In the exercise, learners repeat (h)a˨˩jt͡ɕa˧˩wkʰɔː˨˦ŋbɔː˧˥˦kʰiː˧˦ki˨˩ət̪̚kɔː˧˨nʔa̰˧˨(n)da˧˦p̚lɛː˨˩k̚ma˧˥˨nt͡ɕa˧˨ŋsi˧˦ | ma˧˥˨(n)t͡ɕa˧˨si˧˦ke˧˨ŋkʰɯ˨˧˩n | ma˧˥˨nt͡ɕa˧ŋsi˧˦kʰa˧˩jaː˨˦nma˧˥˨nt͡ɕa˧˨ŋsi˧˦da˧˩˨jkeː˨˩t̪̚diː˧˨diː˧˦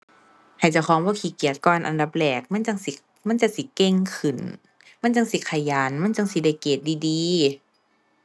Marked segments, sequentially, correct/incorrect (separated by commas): correct, correct, correct